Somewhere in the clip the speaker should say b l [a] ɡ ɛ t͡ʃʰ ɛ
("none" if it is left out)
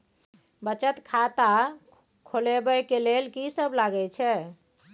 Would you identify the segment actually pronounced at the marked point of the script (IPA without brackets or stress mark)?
a